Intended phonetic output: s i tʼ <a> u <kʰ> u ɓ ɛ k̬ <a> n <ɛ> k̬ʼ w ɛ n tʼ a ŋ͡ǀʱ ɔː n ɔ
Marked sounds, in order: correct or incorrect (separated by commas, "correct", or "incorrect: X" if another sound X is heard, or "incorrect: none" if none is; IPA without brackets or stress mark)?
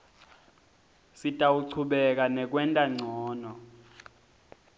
correct, incorrect: ǀʰ, correct, correct